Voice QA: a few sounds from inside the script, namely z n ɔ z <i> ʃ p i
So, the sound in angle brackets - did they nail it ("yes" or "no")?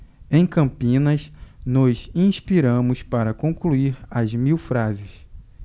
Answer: no